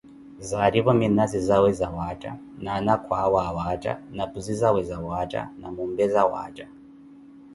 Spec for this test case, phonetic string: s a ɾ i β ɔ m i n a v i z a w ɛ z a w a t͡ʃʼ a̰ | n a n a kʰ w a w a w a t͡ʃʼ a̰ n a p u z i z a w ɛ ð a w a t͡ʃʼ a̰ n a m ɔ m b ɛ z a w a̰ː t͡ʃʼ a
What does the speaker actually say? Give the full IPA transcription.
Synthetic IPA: z a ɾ i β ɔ m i n a z i z a w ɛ z a w a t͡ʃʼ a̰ | n a n a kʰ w a w a w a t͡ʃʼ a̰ n a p u z i z a w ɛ z a w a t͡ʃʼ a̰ n a m u m b ɛ z a w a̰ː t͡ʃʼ a